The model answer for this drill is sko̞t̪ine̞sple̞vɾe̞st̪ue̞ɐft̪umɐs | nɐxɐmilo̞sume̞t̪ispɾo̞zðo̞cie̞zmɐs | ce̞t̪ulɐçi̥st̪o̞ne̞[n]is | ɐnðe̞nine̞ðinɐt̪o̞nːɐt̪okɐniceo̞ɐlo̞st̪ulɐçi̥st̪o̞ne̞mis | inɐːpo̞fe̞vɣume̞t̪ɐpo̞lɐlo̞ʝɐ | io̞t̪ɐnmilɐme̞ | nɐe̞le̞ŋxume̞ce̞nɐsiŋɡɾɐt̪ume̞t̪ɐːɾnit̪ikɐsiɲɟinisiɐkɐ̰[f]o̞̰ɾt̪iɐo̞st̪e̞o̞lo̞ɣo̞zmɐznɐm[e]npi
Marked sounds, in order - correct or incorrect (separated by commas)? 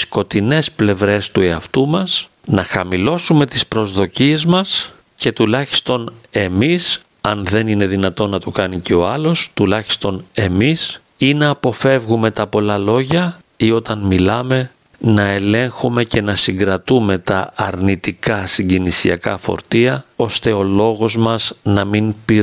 incorrect, correct, incorrect